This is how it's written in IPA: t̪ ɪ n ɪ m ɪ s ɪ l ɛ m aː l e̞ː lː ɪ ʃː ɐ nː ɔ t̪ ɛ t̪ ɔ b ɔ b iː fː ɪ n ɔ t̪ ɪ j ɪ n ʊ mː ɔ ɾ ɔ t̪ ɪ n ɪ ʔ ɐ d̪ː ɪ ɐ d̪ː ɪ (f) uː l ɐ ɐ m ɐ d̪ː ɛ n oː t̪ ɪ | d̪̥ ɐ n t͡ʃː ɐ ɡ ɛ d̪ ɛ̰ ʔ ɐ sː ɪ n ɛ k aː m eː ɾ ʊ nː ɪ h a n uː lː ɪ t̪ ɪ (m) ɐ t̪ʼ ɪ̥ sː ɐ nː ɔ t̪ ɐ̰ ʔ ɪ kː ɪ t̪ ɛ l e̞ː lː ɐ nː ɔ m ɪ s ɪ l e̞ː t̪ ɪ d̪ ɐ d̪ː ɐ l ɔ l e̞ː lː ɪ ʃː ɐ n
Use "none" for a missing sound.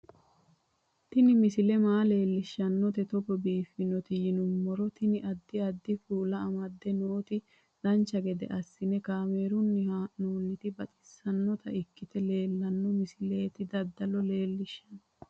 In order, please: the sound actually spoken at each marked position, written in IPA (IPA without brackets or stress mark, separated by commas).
f, b